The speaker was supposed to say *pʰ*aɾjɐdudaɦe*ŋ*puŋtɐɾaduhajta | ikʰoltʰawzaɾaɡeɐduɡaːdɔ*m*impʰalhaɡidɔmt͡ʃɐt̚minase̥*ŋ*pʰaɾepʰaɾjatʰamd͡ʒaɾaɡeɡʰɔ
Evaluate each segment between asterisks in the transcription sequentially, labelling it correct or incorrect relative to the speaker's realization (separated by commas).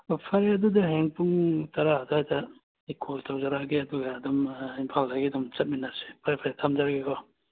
correct, correct, correct, incorrect